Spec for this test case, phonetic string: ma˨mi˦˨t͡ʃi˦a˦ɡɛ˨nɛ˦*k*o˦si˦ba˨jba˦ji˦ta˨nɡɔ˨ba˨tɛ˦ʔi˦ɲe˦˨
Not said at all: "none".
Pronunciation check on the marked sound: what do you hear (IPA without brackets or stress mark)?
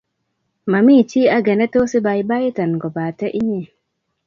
t